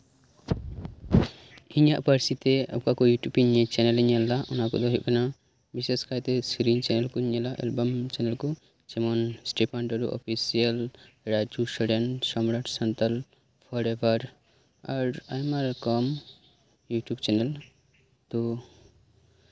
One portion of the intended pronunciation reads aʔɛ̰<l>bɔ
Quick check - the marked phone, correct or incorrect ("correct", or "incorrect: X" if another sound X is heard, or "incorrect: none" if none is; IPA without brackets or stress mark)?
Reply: correct